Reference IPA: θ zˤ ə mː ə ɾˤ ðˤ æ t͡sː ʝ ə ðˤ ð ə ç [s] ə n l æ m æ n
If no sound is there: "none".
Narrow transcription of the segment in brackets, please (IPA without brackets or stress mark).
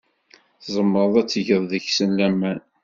s